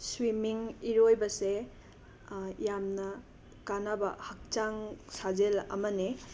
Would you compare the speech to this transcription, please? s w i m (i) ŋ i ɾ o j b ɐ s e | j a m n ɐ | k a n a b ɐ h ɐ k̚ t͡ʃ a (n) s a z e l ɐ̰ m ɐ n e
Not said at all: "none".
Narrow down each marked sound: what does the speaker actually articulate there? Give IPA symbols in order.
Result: i, ŋ

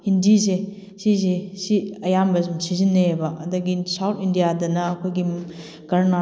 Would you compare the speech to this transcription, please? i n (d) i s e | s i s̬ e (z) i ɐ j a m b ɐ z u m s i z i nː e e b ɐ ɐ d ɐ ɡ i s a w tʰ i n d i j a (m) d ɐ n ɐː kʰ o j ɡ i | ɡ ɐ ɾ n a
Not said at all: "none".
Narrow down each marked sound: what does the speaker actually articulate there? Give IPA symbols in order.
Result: d, s, none

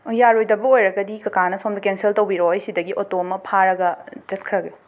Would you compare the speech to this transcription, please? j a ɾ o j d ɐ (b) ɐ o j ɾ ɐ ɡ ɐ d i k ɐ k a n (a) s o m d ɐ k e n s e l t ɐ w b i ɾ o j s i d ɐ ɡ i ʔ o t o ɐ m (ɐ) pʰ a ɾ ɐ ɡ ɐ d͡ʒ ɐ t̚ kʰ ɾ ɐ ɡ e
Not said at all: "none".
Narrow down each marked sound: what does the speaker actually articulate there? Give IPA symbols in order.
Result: b, ɐ, ɐ

